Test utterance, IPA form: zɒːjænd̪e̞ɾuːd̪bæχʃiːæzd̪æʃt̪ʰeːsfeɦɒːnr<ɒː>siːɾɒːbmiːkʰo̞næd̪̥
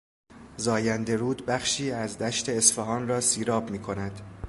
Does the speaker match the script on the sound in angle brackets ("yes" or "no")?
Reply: yes